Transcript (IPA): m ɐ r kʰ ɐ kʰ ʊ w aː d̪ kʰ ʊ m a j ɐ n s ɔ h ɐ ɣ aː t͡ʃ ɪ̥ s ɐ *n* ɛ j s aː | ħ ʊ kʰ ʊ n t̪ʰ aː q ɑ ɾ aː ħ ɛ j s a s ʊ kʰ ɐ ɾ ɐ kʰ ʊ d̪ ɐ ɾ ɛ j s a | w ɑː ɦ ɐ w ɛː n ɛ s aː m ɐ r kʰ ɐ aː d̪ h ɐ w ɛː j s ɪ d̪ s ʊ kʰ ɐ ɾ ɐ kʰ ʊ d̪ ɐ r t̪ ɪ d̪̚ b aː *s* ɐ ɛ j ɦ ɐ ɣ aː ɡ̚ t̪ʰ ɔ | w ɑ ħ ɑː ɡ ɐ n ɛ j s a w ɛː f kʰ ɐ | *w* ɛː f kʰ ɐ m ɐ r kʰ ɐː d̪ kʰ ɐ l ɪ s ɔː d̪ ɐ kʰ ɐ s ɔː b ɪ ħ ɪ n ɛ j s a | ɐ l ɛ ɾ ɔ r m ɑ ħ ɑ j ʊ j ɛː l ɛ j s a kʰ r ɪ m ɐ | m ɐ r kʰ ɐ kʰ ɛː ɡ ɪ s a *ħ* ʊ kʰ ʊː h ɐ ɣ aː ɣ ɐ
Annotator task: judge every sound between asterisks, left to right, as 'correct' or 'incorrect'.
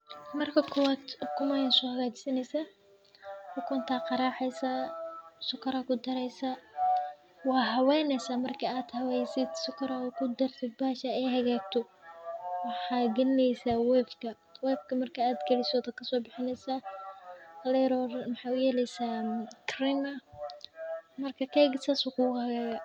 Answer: correct, incorrect: ʃ, correct, incorrect: s

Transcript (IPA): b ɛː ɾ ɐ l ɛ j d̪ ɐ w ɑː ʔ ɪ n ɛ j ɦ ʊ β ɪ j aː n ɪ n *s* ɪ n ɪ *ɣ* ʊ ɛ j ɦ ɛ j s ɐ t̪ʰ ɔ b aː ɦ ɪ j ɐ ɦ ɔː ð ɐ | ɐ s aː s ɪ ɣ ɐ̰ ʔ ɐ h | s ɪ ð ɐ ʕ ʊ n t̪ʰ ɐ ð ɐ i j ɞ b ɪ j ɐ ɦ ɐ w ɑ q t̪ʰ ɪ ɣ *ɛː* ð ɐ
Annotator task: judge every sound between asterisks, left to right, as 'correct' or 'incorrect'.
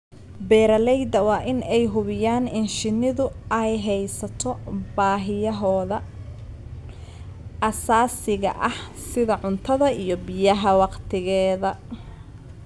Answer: incorrect: ʃ, incorrect: ð, correct

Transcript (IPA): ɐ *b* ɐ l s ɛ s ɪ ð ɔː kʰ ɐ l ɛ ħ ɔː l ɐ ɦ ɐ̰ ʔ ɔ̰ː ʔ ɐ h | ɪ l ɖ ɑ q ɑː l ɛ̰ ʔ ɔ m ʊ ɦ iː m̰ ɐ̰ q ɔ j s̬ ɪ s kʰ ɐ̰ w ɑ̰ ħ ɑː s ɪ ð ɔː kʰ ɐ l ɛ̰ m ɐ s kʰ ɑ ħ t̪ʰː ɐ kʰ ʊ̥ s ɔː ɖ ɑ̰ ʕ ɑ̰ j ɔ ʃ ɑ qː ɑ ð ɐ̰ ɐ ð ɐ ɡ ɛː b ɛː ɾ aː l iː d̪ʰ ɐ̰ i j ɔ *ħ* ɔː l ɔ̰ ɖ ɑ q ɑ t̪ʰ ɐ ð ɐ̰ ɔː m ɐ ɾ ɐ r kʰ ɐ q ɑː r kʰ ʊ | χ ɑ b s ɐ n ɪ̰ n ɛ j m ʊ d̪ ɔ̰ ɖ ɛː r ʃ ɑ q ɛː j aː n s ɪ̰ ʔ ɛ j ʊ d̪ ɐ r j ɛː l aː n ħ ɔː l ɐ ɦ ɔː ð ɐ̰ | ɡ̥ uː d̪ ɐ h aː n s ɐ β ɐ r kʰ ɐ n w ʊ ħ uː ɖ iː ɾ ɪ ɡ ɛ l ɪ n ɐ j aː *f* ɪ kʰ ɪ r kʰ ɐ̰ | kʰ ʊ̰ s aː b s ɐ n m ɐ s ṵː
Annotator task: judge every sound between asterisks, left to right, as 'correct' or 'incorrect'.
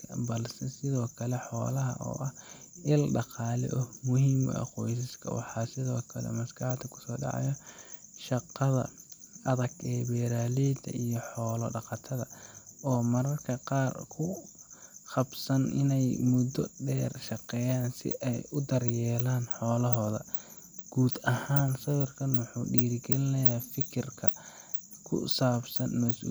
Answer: correct, correct, correct

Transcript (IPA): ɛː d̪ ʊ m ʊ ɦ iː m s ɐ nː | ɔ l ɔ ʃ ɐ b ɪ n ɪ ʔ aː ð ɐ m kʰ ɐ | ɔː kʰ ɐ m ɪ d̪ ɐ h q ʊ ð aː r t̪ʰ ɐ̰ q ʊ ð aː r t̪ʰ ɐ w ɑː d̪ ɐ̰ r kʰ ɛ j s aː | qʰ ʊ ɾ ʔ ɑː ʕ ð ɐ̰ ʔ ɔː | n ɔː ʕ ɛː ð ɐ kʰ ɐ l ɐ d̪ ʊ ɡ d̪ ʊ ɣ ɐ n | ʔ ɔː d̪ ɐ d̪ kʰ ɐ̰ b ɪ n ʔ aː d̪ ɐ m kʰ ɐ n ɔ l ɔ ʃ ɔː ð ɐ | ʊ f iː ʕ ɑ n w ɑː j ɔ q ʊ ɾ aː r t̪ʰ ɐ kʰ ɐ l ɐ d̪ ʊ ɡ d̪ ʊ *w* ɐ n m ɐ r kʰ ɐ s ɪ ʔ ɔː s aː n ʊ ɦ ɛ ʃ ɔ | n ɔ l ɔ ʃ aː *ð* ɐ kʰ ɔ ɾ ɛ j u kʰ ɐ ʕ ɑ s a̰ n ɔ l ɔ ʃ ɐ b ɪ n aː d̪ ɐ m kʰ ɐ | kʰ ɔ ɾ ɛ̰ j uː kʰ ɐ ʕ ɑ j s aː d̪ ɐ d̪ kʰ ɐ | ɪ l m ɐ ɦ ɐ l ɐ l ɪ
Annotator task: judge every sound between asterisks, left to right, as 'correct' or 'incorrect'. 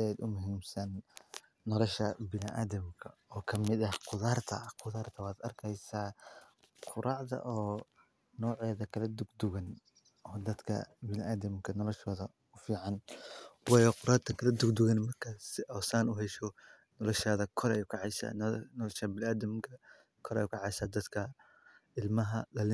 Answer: incorrect: ɣ, correct

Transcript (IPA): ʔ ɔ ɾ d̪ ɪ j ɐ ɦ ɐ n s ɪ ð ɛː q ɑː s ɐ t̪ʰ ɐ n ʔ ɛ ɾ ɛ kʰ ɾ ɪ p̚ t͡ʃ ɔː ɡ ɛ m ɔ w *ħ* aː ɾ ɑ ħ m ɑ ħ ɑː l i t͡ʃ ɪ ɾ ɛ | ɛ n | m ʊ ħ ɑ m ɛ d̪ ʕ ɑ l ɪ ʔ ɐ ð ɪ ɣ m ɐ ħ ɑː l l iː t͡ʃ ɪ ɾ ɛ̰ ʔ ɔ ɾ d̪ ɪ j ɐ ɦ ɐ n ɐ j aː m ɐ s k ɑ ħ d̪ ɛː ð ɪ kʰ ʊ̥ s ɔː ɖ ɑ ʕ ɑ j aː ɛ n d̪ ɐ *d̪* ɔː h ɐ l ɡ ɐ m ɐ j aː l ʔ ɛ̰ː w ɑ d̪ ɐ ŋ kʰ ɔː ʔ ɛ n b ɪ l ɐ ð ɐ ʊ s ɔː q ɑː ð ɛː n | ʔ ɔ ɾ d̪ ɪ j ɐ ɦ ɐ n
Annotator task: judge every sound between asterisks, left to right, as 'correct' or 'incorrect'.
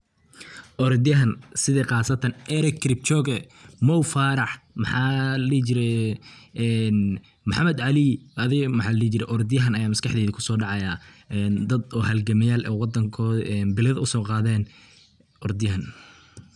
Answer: incorrect: f, correct

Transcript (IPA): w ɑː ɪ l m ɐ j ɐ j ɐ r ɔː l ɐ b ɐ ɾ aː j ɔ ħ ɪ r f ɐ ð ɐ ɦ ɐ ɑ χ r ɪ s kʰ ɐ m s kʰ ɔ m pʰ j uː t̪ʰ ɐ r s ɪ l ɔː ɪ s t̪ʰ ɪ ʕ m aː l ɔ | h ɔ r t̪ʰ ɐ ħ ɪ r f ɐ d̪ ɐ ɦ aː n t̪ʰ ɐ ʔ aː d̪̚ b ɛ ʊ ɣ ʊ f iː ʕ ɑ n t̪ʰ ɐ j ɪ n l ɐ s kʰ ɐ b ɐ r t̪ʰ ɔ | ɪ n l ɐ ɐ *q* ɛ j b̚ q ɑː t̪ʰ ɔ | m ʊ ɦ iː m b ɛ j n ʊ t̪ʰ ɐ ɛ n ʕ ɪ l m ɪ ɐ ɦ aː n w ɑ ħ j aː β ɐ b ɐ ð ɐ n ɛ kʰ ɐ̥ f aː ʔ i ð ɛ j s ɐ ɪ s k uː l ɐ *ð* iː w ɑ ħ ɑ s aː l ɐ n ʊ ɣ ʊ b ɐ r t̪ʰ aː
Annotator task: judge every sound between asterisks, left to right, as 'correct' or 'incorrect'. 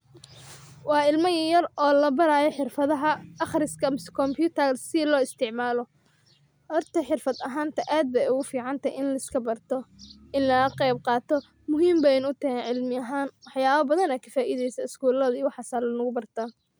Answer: correct, correct

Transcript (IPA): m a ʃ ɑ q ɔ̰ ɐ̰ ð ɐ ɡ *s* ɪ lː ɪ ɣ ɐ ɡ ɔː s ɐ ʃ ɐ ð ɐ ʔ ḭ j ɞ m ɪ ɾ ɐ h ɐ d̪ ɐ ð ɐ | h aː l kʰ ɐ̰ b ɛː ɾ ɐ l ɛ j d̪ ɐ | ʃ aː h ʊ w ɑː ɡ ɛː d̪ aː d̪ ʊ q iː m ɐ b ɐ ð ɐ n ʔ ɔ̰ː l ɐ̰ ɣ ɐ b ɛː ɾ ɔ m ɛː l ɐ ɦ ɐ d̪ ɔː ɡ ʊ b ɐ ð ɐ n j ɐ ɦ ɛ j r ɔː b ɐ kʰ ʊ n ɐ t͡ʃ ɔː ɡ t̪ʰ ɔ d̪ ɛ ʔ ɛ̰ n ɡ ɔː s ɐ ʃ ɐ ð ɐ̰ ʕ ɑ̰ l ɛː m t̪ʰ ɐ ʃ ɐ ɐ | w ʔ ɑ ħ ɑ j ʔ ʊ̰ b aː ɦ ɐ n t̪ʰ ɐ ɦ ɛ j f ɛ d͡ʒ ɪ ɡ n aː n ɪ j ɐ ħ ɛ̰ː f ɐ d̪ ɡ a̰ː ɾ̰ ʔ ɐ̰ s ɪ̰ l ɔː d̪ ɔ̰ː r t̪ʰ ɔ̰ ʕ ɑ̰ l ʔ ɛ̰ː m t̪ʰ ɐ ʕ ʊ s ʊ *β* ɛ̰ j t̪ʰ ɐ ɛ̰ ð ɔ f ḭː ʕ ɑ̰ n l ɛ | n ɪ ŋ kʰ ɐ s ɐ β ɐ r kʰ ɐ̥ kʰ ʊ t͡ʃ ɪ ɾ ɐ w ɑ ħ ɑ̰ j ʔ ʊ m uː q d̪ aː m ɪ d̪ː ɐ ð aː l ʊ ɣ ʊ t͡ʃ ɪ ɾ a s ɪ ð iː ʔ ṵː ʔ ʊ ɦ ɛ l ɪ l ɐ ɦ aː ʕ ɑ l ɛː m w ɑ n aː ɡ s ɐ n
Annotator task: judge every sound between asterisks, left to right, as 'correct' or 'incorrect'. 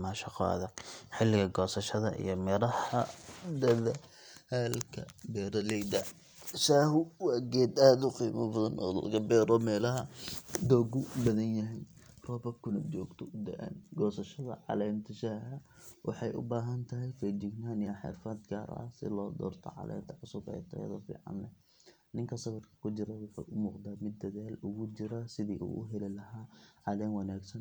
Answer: incorrect: ħ, incorrect: b

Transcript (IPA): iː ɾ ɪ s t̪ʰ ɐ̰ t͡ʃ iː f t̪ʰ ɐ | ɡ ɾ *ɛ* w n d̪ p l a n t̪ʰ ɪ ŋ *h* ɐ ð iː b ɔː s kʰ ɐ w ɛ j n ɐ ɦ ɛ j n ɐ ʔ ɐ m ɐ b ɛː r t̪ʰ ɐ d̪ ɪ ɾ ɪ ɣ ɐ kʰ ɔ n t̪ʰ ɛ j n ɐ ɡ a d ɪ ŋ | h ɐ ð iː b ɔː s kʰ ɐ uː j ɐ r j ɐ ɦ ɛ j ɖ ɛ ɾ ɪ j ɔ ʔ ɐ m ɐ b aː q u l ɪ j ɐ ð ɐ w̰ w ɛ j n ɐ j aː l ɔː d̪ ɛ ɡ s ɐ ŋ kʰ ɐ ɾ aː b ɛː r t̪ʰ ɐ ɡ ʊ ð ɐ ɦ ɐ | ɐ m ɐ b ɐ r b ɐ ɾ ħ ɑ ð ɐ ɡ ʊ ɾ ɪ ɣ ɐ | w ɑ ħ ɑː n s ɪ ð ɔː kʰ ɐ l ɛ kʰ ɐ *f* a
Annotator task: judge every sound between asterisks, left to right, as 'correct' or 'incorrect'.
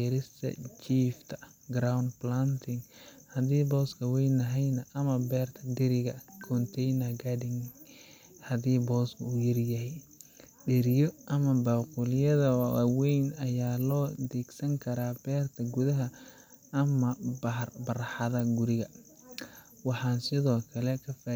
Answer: incorrect: a, correct, correct

